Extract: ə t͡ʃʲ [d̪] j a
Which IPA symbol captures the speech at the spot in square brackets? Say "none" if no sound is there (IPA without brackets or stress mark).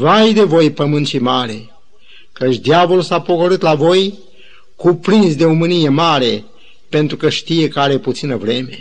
d̪